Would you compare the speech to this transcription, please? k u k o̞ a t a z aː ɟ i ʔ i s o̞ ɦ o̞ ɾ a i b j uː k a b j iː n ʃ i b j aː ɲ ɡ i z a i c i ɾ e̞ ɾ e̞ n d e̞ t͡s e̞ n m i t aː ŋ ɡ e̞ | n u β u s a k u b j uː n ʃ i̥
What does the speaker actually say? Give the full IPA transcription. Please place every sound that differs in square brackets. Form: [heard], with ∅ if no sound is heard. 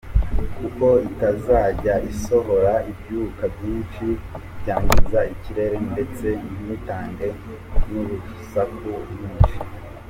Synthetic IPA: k u k o̞ [i] t a z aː ɟ [a] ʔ i s o̞ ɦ o̞ ɾ a i b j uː k a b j iː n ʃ i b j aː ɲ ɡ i z a i c i ɾ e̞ ɾ e̞ n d e̞ t͡s e̞ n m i t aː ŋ ɡ e̞ | n u β u s a k u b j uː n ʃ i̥